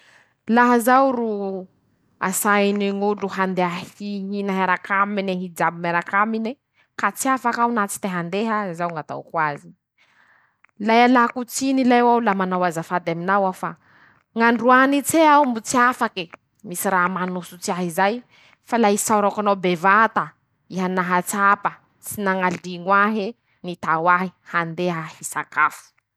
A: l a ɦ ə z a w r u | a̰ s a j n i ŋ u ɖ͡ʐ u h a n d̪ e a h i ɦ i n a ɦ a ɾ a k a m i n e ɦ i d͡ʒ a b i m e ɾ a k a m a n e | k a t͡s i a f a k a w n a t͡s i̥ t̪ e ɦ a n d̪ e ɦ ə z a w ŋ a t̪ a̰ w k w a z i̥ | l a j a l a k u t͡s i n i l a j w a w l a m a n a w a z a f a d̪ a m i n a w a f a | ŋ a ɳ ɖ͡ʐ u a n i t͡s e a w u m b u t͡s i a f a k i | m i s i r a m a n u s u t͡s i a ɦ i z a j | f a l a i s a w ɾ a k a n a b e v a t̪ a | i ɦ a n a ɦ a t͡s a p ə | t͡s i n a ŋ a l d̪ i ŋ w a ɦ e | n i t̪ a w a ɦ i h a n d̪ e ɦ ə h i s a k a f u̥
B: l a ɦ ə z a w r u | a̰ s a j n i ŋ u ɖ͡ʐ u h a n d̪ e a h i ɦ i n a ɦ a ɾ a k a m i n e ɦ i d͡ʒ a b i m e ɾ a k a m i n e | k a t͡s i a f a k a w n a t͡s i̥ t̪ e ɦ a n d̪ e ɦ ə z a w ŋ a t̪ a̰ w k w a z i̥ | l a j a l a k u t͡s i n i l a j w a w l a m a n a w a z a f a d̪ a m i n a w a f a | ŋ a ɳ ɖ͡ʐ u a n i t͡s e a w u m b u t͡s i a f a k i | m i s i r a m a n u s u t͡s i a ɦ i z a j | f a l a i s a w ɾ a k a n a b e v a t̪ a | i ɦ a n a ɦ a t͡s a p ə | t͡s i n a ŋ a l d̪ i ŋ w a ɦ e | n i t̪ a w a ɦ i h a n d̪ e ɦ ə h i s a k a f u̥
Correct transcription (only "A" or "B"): B